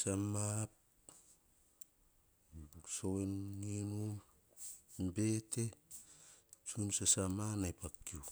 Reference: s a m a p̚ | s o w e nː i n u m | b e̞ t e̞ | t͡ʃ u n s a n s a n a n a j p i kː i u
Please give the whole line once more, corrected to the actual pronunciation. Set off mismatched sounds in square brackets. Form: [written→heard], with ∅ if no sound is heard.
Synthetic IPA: s a m a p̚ | s o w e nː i n u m | b e̞ t e̞ | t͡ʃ u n s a [n→∅] s a [n→m] a n a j p [i→a] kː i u